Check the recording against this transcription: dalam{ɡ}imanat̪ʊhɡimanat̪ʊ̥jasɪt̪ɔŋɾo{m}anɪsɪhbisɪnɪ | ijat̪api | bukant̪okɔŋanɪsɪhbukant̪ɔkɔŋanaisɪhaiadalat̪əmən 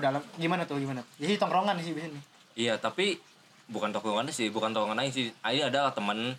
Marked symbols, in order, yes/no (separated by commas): yes, no